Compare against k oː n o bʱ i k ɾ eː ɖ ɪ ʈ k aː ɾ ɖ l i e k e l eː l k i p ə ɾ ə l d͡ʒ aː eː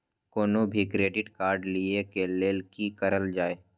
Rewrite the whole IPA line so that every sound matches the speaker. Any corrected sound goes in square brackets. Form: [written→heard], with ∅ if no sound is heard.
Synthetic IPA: k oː n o bʱ i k ɾ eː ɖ ɪ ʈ k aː ɾ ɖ l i e k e l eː l k i [p→k] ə ɾ ə l d͡ʒ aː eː